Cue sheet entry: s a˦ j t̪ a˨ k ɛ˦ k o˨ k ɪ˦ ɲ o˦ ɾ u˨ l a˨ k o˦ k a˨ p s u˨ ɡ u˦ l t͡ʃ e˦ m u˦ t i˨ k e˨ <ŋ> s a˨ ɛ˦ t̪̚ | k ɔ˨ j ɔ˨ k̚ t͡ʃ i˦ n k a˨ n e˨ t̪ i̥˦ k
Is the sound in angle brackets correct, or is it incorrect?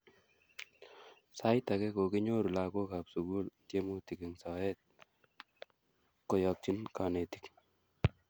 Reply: correct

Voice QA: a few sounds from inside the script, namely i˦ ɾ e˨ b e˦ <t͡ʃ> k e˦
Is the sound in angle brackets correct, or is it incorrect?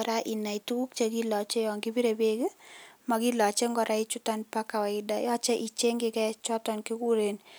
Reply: incorrect: none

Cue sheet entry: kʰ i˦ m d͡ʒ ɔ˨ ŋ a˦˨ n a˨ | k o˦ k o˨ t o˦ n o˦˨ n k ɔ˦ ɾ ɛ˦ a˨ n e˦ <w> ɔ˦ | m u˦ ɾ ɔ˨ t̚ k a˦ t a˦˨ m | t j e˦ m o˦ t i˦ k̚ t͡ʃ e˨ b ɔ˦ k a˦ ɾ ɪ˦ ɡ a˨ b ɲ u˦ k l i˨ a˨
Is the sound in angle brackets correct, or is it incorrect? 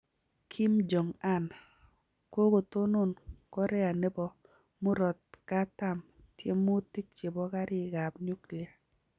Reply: incorrect: b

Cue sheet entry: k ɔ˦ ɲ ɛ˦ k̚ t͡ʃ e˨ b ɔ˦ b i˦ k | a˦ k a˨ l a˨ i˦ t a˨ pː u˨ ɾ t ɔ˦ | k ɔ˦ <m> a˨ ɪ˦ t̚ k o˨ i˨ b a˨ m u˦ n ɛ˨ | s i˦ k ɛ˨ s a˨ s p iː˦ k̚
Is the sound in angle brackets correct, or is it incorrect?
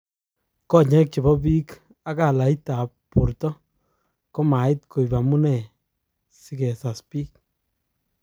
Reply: correct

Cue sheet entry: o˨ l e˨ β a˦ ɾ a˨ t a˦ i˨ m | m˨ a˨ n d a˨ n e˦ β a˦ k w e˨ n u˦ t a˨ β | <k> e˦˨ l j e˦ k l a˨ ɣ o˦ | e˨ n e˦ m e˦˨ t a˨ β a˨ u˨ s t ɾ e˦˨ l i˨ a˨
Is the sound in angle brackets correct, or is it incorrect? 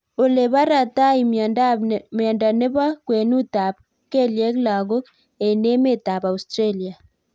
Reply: correct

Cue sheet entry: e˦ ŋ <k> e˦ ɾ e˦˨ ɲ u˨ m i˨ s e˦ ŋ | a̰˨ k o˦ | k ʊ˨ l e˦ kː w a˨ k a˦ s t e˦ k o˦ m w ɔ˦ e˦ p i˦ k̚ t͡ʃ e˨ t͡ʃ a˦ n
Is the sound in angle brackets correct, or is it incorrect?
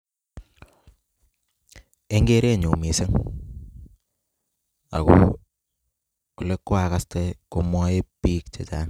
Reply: incorrect: ɡ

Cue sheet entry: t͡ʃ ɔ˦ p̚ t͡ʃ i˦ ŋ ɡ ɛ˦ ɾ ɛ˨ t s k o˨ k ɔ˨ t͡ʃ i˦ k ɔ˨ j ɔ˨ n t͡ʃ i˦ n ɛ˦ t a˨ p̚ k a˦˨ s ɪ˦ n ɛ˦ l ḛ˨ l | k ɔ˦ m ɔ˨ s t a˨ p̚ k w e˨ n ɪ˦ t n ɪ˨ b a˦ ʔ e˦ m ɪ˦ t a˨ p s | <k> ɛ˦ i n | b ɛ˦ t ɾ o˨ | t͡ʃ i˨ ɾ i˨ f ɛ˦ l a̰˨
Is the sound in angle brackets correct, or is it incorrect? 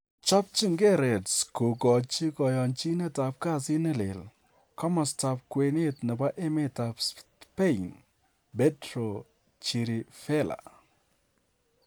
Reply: incorrect: p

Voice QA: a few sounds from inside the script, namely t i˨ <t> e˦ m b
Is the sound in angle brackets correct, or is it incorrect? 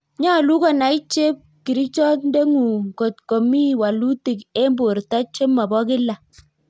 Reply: incorrect: k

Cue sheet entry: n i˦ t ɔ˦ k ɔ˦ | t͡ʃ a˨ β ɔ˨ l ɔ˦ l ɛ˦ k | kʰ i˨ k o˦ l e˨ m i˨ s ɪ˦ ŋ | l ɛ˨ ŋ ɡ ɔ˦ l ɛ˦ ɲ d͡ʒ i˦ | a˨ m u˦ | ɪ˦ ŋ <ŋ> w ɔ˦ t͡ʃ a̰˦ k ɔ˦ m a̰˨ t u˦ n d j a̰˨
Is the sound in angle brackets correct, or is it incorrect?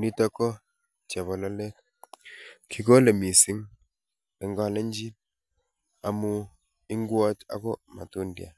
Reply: incorrect: ɡ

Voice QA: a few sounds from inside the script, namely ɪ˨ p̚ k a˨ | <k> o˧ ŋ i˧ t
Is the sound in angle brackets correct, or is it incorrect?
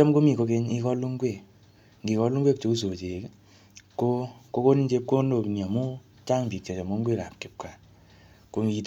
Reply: correct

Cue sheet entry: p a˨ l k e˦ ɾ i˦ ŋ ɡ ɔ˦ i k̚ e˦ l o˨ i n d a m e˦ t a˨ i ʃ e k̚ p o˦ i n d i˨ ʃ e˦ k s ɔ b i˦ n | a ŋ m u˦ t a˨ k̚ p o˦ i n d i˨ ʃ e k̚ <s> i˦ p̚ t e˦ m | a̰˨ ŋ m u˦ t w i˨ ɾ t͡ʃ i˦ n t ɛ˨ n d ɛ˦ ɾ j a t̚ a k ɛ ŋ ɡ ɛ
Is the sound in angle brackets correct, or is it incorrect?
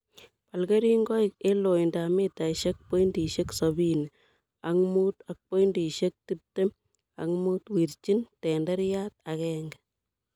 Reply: incorrect: t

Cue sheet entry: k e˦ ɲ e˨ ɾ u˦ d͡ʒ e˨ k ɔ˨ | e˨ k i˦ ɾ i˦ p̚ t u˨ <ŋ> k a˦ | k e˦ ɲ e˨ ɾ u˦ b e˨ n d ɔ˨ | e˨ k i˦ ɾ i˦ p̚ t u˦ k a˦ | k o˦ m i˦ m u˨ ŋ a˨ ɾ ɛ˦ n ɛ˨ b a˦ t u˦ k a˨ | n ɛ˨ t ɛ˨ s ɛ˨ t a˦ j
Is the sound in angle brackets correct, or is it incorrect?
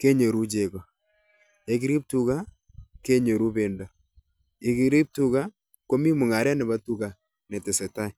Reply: incorrect: none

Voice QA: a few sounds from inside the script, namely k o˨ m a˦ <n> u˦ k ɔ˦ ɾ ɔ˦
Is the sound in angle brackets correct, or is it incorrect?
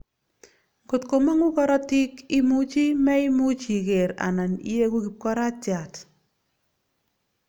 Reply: incorrect: ŋ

